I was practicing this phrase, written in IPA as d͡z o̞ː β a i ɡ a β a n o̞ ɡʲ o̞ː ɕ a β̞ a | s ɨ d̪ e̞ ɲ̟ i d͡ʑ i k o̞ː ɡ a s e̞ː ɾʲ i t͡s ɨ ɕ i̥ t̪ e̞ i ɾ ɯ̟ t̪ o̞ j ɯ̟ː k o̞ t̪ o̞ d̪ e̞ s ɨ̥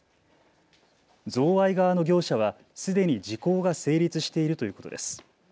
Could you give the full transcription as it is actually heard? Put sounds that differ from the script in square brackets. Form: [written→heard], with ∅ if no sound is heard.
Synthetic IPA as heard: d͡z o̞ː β a i ɡ a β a n o̞ ɡʲ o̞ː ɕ a β̞ a | s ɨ d̪ e̞ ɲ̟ i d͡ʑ i k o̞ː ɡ a s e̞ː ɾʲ i t͡s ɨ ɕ i̥ t̪ e̞ i ɾ ɯ̟ t̪ o̞ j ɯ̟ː k o̞ t̪ o̞ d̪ e̞ s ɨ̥